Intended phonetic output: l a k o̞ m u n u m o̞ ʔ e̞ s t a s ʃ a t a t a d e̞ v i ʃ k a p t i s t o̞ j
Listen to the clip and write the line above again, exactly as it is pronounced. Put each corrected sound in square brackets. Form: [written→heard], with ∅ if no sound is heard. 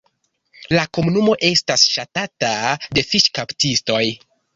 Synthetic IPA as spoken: l a k o̞ m u n u m o̞ ʔ e̞ s t a s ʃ a t a t a d e̞ [v→f] i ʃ k a p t i s t o̞ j